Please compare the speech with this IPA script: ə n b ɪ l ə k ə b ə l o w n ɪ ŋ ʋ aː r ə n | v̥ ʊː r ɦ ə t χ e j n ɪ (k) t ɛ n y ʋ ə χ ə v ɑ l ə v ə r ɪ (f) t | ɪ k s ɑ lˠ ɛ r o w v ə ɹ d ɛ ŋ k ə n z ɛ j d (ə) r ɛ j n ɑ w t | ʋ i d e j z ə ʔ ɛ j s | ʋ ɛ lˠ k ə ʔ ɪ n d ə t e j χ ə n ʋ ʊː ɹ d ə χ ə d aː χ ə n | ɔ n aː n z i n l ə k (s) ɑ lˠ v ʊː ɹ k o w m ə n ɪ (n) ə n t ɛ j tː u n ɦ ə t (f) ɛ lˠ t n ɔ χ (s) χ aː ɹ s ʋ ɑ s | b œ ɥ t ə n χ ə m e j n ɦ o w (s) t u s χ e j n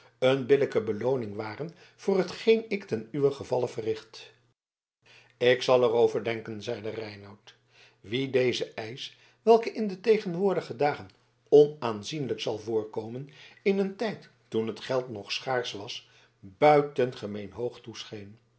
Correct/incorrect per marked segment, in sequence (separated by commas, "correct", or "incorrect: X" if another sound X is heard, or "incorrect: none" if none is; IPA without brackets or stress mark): correct, incorrect: χ, correct, correct, correct, incorrect: χ, correct, incorrect: χ